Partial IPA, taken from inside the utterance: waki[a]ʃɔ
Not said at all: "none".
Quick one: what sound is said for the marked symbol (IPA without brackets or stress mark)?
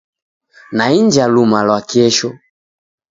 ɛ